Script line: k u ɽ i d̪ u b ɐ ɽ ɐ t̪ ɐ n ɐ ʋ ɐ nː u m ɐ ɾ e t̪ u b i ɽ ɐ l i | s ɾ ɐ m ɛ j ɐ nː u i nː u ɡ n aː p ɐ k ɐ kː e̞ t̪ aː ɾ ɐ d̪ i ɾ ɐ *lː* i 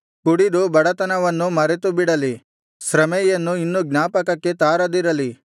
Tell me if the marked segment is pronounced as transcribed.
no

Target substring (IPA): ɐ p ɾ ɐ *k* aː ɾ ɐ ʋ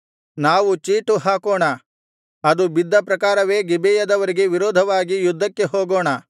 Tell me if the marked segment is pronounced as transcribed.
yes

